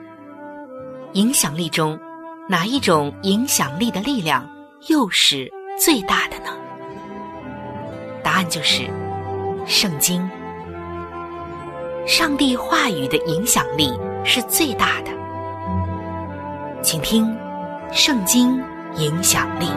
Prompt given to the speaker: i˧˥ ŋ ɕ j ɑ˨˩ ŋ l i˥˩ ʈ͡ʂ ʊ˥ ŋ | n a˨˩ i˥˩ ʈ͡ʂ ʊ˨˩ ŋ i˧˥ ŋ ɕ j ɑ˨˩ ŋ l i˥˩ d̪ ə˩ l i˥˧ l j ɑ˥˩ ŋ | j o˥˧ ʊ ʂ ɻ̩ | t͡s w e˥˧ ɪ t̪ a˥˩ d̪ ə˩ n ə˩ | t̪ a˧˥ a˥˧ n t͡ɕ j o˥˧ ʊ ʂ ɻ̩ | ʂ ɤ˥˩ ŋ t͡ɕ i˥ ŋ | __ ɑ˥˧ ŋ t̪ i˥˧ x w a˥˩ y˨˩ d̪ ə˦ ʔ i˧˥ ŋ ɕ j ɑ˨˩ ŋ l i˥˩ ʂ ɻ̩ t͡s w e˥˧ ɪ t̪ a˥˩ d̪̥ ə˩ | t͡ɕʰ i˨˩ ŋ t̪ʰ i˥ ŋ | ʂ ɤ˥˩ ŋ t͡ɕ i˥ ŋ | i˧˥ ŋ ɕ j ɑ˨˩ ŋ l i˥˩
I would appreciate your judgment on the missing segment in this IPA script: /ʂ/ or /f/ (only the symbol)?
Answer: ʂ